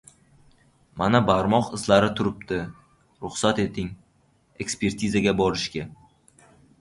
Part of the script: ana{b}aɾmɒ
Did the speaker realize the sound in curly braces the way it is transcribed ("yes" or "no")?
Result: yes